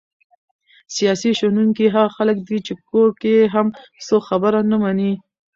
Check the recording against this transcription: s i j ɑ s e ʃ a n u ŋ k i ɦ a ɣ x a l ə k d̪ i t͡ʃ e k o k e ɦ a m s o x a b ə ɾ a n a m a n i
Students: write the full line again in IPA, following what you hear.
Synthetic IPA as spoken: s i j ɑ s i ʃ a n u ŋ k i ɦ a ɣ x a l ə k d̪ i t͡ʃ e k o k e ɦ a m s o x a b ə ɾ a n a m a n i